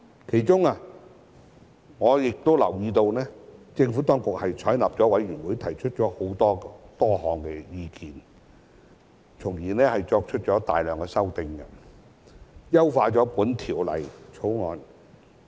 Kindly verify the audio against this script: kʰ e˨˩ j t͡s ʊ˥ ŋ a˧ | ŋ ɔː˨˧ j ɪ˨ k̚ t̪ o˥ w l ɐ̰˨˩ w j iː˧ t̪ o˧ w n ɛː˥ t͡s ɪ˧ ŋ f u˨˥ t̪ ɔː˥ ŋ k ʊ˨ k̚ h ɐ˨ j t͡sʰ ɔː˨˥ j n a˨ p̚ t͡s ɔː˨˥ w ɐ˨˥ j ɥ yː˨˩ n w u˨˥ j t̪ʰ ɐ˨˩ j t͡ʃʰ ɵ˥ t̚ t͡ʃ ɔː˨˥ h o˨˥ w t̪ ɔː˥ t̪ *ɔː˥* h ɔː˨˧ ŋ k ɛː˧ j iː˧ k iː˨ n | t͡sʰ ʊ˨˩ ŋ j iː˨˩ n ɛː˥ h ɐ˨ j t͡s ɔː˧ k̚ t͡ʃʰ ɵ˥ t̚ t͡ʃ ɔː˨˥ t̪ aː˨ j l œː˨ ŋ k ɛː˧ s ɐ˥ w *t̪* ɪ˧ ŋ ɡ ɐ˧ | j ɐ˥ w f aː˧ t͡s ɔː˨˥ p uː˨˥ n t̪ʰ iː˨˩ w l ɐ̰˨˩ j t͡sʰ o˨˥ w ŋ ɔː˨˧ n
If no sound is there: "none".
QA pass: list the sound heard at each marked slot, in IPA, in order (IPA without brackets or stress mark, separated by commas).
ɔː˥, t̪